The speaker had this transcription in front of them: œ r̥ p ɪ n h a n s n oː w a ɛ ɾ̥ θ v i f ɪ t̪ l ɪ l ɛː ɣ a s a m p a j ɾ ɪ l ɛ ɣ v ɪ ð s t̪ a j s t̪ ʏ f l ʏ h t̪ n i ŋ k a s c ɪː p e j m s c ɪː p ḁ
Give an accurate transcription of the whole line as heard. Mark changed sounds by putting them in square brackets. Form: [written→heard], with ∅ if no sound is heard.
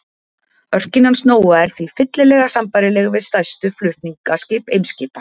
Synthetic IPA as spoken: œ r̥ [p→c] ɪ n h a n s n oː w a ɛ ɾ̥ θ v i f ɪ t̪ l ɪ l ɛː ɣ a s a m p a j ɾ ɪ l ɛ ɣ v ɪ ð s t̪ a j s t̪ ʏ f l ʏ h t̪ n i ŋ k a s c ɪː p e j m s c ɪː p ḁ

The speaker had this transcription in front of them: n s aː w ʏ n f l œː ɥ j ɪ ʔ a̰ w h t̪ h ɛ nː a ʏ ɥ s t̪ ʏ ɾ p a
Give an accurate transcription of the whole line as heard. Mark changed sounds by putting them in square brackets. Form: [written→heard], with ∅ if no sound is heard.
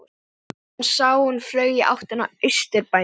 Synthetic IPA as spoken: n s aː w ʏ n f l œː ɥ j ɪ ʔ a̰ w h t̪ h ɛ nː a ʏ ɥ s t̪ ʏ ɾ p a

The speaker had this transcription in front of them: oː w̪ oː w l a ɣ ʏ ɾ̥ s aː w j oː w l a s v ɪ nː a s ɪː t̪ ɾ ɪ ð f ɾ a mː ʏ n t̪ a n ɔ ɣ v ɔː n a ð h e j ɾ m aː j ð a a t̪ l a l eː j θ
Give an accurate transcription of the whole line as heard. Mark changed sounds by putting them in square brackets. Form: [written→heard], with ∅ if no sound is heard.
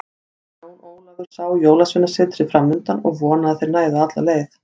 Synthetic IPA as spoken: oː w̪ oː w l a ɣ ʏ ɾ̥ s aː w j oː w l a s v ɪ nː a s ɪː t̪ ɾ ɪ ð f ɾ a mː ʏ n t̪ a n ɔ ɣ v ɔː n a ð [h→θ] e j ɾ [m→n] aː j ð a a t̪ l a l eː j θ

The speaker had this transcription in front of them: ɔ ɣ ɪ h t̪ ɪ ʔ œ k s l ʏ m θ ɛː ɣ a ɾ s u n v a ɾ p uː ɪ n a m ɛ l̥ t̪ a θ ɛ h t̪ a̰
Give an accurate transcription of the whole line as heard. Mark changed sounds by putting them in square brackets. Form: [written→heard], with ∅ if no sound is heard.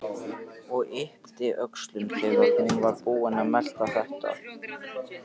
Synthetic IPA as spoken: ɔ ɣ ɪ h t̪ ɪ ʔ œ k s l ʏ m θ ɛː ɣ a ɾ [s→h] u n v a ɾ p uː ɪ n a m ɛ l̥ t̪ a θ ɛ h t̪ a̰

